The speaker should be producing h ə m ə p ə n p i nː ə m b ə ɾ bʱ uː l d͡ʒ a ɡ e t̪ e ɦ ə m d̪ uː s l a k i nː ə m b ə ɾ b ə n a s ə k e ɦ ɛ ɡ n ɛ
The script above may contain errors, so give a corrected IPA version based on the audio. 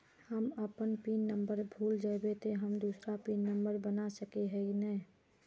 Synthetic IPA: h ə m ə p ə n p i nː ə m b ə ɾ bʱ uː l d͡ʒ a b e t̪ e ɦ ə m d̪ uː s ɾ a p i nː ə m b ə ɾ b ə n a s ə k e ɦ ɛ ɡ n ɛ

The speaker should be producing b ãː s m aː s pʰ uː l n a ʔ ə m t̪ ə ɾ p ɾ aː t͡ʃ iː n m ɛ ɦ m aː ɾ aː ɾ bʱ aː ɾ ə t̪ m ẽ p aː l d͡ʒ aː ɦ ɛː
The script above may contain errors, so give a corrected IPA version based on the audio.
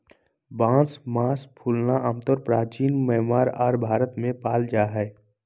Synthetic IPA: b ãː s m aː s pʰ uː l n a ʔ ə m t̪ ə ɾ p ɾ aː t͡ʃ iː n m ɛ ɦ m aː ɾ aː ɾ bʱ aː ɾ ə t̪ m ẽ p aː l d͡ʒ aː ɦ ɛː

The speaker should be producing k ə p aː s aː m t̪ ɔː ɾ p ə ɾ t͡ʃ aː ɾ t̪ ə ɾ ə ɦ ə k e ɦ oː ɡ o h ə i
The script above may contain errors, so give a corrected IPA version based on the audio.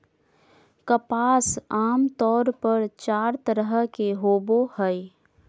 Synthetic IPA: k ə p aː s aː m t̪ ɔː ɾ p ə ɾ t͡ʃ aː ɾ t̪ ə ɾ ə ɦ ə k e ɦ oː b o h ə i

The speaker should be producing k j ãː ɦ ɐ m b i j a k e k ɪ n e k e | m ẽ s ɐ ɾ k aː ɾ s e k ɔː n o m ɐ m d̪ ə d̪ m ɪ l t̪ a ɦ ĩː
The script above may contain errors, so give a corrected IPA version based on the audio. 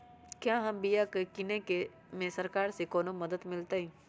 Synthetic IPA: k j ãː ɦ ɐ m b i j a k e k ɪ n e k e | m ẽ s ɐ ɾ k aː ɾ s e k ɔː n o m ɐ d̪ ə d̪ m ɪ l t̪ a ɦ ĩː

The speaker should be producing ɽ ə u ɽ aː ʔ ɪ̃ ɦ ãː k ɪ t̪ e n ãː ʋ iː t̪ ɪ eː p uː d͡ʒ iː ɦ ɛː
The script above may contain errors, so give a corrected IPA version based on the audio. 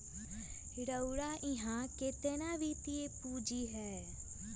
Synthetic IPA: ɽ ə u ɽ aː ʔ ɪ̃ ɦ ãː k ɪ t̪ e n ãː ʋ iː t̪ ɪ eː p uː d͡ʒ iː ɦ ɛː

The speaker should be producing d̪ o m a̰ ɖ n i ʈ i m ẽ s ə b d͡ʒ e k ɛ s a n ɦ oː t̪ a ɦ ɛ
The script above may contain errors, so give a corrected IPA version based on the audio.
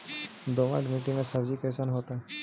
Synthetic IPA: d̪ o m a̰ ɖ m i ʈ i m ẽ s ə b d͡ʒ i k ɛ s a n ɦ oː t̪ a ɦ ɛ

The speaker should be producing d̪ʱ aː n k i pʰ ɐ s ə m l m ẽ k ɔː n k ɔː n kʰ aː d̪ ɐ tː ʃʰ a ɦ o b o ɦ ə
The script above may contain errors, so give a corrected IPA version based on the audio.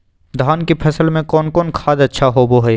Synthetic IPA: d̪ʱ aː n k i pʰ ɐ s ə l m ẽ k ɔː n k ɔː n kʰ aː d̪ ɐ tː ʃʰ a ɦ o b o ɦ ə

